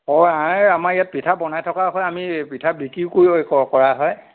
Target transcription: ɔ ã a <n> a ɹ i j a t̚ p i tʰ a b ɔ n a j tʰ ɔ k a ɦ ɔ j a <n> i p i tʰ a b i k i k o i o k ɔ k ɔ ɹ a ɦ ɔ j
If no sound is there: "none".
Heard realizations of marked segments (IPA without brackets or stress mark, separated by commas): m, m